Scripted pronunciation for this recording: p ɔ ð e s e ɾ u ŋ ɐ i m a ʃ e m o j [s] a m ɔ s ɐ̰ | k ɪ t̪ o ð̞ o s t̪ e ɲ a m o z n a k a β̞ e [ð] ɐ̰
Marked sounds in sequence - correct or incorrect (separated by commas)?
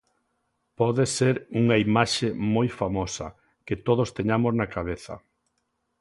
incorrect, incorrect